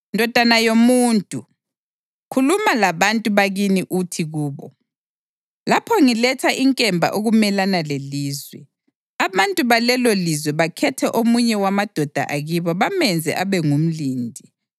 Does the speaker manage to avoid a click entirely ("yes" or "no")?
yes